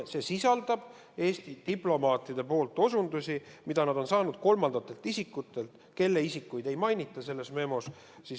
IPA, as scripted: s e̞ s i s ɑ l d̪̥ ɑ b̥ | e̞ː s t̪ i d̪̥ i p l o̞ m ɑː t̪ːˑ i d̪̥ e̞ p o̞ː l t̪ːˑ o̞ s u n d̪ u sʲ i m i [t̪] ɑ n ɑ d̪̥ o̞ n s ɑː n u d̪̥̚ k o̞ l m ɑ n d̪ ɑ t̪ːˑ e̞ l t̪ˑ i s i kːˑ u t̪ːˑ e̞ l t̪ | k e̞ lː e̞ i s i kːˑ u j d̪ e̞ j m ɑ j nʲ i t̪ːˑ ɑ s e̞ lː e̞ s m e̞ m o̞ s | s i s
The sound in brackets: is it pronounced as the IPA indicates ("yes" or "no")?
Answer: no